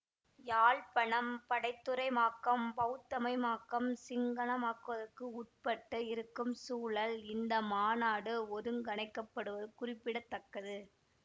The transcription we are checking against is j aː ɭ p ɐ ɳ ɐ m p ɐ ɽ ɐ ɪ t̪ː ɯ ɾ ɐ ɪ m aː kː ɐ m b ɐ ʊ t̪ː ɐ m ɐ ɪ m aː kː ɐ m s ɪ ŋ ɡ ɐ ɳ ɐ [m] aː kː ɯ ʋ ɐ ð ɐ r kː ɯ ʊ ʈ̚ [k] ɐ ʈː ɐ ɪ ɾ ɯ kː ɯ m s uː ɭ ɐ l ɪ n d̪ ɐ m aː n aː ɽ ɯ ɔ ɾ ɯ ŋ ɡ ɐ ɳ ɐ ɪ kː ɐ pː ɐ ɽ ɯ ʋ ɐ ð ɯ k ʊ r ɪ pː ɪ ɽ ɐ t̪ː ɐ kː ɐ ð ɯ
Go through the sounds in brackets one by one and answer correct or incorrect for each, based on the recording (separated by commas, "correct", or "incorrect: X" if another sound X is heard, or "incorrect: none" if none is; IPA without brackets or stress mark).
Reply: correct, incorrect: p